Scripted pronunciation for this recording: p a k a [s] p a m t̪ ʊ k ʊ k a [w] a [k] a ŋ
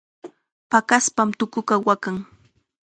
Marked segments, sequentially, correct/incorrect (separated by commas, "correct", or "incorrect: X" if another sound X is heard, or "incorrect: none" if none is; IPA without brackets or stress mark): correct, correct, correct